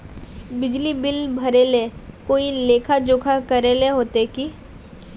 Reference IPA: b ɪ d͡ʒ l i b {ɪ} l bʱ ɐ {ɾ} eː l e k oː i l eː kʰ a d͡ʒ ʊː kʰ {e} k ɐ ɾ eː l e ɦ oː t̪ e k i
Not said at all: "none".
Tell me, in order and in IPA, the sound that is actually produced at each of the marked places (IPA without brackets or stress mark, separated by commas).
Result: ɪ, ɾ, a